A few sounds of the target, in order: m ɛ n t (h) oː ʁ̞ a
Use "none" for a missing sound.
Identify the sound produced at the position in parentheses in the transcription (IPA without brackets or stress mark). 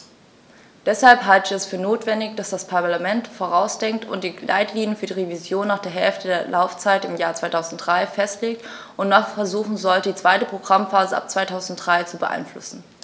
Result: f